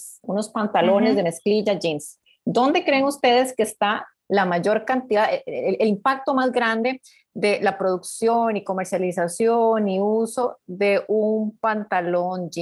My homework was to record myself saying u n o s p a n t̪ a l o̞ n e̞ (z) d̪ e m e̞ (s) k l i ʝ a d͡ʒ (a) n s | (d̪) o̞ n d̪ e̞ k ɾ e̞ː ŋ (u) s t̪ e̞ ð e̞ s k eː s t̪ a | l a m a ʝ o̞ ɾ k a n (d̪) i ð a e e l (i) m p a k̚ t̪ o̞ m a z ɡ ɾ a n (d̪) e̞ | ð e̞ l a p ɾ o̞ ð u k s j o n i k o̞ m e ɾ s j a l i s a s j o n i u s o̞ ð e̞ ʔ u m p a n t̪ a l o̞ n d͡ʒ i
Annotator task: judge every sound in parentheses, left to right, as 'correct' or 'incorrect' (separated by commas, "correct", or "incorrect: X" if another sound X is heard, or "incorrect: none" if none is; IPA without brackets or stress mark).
correct, correct, incorrect: i, correct, correct, incorrect: t̪, correct, correct